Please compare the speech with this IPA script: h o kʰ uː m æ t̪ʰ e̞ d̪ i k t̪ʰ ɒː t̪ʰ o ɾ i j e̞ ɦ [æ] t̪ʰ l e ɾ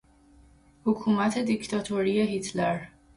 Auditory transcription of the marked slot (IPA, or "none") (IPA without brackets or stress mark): i